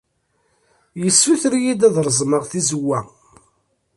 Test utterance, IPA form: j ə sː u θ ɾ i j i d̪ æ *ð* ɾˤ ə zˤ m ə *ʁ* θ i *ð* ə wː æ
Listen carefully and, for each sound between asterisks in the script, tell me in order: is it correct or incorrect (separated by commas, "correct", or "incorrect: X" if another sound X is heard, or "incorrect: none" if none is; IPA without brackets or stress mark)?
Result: correct, correct, incorrect: z